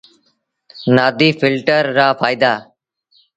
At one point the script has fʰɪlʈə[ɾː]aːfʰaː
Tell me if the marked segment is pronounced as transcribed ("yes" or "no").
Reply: yes